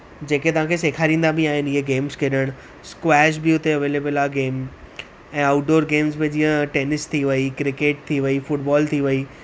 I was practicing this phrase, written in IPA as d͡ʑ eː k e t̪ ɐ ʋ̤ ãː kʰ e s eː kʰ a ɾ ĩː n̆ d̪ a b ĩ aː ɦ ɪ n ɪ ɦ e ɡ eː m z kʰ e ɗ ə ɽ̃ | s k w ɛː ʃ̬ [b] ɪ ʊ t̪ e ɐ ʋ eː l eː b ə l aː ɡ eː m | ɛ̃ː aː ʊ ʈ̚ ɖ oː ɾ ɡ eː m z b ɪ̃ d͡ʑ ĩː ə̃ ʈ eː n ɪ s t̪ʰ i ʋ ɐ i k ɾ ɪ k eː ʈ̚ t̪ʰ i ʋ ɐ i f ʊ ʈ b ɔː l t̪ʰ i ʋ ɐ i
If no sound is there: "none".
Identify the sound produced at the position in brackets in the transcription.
b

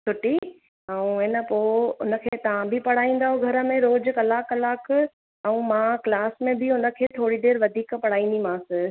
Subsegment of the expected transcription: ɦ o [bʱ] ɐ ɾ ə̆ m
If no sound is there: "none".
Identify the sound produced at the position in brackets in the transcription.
ɡʱ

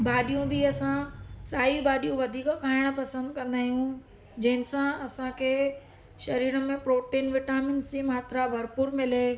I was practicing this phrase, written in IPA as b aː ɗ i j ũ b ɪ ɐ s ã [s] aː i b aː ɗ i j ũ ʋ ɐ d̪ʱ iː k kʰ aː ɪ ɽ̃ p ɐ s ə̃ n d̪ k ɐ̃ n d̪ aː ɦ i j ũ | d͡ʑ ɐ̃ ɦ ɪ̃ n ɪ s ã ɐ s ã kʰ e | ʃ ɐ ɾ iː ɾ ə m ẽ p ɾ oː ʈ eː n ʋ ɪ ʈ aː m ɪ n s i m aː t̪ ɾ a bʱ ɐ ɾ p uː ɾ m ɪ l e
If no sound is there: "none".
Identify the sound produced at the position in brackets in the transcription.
s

